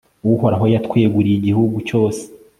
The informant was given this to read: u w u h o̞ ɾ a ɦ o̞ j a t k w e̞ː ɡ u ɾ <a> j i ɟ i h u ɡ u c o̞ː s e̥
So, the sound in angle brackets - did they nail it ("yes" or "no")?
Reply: no